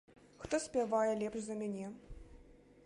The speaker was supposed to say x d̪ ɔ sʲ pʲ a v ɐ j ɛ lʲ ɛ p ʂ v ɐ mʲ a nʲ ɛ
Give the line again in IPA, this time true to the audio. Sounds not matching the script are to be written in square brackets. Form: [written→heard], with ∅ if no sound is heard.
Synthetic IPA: x [d̪→t̪] ɔ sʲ pʲ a v [ɐ→a] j ɛ lʲ ɛ p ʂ [v→z] ɐ mʲ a nʲ ɛ